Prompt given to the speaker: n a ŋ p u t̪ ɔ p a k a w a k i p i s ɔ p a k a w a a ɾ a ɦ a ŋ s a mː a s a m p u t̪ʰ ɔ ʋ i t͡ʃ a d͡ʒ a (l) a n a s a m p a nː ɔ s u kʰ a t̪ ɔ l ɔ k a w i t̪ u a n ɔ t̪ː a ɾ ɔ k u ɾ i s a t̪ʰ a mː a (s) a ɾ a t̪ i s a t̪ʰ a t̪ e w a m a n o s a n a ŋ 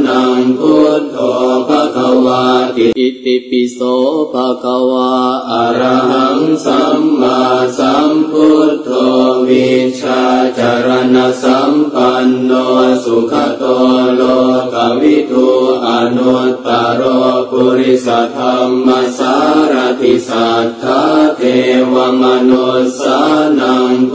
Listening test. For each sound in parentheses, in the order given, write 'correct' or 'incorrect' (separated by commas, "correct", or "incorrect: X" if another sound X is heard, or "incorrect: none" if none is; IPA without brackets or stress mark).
incorrect: ɾ, correct